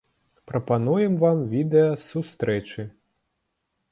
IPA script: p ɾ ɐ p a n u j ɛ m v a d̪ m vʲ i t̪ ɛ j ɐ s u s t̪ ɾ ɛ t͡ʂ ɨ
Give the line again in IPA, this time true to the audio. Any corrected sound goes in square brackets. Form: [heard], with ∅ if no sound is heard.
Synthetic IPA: p ɾ ɐ p a n u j ɛ m v a [∅] m vʲ i [d̪] ɛ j ɐ s u s t̪ ɾ ɛ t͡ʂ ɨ

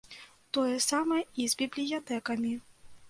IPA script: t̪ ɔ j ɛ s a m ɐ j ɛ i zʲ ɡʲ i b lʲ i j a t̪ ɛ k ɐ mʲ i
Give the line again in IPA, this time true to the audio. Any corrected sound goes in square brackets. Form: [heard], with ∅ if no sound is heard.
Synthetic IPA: t̪ ɔ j ɛ s a m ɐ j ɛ i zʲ [bʲ] i b lʲ i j a t̪ ɛ k ɐ mʲ i

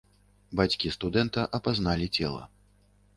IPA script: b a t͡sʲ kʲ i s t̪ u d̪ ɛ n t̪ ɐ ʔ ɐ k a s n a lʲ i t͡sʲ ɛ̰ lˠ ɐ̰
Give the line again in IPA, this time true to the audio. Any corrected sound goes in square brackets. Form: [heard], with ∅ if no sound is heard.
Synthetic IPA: b a t͡sʲ kʲ i s t̪ u d̪ ɛ n t̪ ɐ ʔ ɐ [p] a [z] n a lʲ i t͡sʲ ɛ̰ lˠ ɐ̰

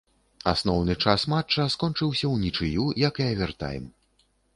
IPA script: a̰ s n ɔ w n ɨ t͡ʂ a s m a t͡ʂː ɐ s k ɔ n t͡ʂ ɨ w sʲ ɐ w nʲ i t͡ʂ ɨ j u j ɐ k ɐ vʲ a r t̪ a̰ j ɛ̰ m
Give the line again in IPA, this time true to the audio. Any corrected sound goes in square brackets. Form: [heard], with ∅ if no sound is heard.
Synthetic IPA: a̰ s n ɔ w n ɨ t͡ʂ a s m a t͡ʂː ɐ s k ɔ n t͡ʂ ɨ w sʲ ɐ w nʲ i t͡ʂ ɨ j u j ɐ k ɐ vʲ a r t̪ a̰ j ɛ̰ m

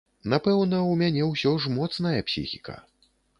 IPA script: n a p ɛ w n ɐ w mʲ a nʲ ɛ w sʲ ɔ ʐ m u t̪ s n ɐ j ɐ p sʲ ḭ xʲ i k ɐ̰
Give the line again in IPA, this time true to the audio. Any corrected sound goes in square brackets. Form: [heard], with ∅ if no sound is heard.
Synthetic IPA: n a p ɛ w n ɐ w mʲ a nʲ ɛ w sʲ ɔ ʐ m [ɔ] t̪ s n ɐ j ɐ p sʲ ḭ xʲ i k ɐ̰

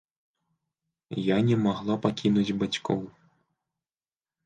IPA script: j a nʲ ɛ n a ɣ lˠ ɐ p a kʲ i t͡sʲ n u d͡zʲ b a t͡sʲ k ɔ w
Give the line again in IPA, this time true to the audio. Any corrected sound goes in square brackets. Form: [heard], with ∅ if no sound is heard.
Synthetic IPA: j a nʲ ɛ [m] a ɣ lˠ [a] p a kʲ i [∅] n u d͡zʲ b a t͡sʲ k ɔ w

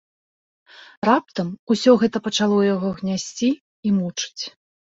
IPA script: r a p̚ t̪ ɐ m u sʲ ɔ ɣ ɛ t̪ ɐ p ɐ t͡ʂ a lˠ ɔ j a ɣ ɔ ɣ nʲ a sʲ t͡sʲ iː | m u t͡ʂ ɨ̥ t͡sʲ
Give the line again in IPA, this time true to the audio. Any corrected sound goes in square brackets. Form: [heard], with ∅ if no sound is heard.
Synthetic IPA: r a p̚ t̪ ɐ m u sʲ ɔ ɣ ɛ t̪ ɐ p ɐ t͡ʂ a lˠ ɔ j a ɣ ɔ ɣ nʲ a sʲ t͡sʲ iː | m u t͡ʂ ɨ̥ t͡sʲ

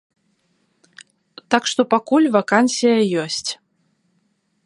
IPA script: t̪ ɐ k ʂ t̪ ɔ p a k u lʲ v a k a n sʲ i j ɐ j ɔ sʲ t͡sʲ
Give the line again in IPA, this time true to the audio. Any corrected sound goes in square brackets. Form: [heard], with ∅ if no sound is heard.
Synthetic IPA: t̪ [a] k ʂ t̪ ɔ p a k u lʲ v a k a n sʲ i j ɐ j ɔ sʲ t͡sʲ

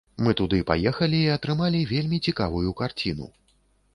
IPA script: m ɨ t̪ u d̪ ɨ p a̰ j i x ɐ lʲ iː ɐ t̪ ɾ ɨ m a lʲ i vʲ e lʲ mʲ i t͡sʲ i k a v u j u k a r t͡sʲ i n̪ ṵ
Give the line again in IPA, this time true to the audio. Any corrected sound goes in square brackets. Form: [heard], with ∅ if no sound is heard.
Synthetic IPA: m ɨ t̪ u d̪ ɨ p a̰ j [ɛ] x ɐ lʲ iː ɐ t̪ ɾ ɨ m a lʲ i vʲ e lʲ mʲ i t͡sʲ i k a v u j u k a r t͡sʲ i n̪ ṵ

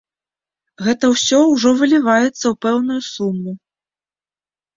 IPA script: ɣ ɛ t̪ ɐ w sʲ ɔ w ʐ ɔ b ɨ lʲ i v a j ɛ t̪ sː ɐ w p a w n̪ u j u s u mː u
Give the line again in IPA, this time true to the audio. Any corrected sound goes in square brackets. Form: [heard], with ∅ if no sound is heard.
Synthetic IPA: ɣ ɛ t̪ ɐ w sʲ ɔ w ʐ ɔ [v] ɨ lʲ i v a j ɛ t̪ sː ɐ w p [ɛ] w n̪ u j u s u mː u

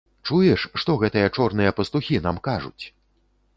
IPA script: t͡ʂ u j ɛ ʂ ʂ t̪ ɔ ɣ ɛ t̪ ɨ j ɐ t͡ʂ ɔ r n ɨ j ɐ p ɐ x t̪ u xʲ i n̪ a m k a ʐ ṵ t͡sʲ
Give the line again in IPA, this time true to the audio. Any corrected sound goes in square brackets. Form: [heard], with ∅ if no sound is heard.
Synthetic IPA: t͡ʂ u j ɛ ʂ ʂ t̪ ɔ ɣ ɛ t̪ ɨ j ɐ t͡ʂ ɔ r n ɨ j ɐ p ɐ [s] t̪ u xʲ i n̪ a m k a ʐ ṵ t͡sʲ

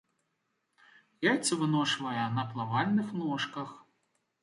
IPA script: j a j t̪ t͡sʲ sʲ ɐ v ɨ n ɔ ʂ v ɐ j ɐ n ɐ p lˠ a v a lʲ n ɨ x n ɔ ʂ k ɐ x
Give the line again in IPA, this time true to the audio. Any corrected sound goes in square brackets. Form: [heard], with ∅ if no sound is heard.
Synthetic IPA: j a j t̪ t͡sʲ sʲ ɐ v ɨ n ɔ ʂ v ɐ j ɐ n ɐ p lˠ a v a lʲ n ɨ x n ɔ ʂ k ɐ x

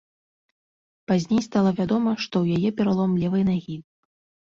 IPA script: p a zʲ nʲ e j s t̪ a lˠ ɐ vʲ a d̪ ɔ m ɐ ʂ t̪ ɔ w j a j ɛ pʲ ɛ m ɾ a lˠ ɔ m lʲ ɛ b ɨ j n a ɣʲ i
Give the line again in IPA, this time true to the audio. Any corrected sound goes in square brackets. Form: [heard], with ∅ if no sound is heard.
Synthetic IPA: p a zʲ nʲ e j s t̪ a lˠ ɐ vʲ a d̪ ɔ m ɐ ʂ t̪ ɔ w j a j ɛ pʲ ɛ [∅] ɾ a lˠ ɔ m lʲ ɛ [v] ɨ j n a ɣʲ i

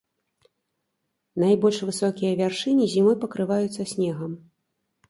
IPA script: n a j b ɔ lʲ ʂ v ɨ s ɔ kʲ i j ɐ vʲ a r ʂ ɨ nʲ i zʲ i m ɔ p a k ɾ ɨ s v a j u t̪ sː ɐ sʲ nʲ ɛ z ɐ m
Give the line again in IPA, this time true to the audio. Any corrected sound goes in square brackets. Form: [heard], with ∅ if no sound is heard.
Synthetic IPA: n a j b ɔ lʲ ʂ v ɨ s ɔ kʲ i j ɐ vʲ a r ʂ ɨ nʲ i zʲ i m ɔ p [ɐ] k ɾ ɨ [∅] v a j u t̪ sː ɐ sʲ nʲ ɛ [ɣ] ɐ m

